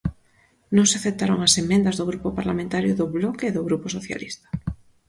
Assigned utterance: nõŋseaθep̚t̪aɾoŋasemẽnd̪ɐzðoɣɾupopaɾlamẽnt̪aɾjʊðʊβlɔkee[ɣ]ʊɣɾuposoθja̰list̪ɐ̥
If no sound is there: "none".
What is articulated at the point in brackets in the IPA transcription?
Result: ð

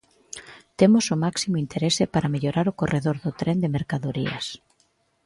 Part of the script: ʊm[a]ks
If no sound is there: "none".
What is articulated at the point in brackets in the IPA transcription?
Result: a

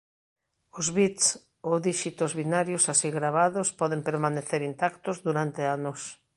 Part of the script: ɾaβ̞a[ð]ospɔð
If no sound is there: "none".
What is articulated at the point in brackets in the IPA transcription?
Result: ð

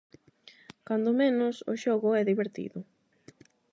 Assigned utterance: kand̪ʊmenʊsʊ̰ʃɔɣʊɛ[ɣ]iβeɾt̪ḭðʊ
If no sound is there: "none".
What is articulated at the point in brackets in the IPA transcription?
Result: ð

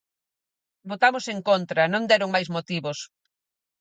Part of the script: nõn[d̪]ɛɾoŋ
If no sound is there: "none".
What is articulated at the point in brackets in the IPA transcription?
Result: d̪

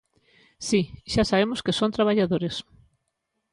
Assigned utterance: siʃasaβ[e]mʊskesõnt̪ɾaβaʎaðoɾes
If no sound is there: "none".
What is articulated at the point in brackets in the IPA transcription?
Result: e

